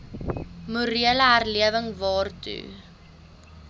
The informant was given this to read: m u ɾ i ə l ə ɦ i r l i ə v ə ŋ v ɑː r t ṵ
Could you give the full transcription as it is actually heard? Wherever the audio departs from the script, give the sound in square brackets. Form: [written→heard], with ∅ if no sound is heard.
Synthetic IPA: m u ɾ i ə l ə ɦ [i→æ] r l i ə v ə ŋ v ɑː r t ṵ